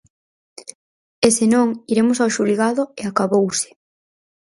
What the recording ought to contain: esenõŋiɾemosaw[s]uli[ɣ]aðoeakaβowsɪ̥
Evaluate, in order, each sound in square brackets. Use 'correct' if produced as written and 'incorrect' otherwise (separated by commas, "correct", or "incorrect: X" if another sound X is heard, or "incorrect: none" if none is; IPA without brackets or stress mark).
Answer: incorrect: ʃ, correct